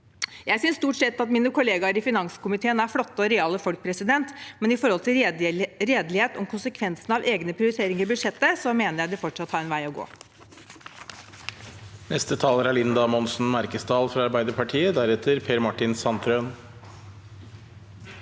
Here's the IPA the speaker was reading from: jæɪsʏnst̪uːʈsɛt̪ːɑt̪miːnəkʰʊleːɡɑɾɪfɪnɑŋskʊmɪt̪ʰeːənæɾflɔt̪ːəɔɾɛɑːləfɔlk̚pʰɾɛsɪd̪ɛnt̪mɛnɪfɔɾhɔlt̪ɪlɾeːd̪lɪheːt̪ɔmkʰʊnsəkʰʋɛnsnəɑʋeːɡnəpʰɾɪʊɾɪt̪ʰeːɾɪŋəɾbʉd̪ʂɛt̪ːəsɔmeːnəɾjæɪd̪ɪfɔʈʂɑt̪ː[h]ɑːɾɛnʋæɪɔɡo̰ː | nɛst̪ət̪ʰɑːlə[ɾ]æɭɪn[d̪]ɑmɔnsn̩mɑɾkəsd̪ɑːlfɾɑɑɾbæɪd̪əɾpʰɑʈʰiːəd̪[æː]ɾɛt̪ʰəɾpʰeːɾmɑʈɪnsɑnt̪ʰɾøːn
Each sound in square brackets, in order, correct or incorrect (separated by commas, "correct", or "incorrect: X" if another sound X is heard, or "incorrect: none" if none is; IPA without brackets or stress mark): correct, correct, correct, incorrect: æ